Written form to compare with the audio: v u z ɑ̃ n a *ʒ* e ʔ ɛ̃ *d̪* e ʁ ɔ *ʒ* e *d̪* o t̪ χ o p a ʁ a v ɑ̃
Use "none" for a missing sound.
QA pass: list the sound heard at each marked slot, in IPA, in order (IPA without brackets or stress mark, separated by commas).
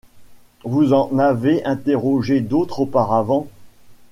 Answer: v, t̪, ʒ, d̪